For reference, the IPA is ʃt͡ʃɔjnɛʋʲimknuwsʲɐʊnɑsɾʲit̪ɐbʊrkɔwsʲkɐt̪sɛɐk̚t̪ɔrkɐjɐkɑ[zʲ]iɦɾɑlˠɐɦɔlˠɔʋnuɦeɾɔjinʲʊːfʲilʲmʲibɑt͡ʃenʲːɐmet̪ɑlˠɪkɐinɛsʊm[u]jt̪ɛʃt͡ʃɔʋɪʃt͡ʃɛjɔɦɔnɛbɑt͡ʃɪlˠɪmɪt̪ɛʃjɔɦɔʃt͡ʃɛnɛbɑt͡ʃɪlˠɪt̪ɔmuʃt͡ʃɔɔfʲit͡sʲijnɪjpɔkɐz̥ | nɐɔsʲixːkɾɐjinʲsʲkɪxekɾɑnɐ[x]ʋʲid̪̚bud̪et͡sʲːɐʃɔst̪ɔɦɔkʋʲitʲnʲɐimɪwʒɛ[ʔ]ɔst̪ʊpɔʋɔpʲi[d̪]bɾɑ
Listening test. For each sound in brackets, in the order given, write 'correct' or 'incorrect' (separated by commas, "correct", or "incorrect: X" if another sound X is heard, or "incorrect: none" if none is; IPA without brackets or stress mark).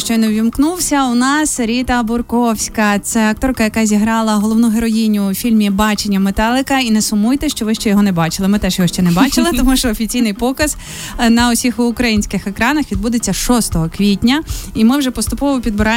correct, correct, correct, incorrect: p, correct